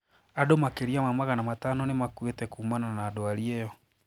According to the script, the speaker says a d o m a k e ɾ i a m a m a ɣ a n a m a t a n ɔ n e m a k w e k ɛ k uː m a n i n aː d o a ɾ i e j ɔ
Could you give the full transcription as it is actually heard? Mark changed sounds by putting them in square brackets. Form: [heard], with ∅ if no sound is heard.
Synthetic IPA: a d o m a k e ɾ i a m a m a ɣ a n a m a t a n ɔ n e m a k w e [t] ɛ k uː m a n [a] n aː d o a ɾ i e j ɔ